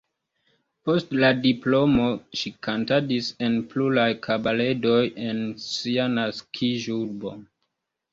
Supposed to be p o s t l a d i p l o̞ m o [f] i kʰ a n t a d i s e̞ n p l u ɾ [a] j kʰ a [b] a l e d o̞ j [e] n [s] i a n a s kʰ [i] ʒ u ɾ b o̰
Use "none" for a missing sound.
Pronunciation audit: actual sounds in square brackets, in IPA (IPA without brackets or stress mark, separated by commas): ʃ, a, b, e, s, i